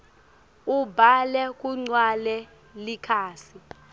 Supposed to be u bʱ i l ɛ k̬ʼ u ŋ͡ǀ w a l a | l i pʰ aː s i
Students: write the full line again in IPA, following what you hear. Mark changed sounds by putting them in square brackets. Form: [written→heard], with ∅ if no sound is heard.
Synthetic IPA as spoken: u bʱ [i→a] l ɛ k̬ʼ u ŋ͡ǀ w a l [a→ɛ] | l i [pʰ→kʰ] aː s i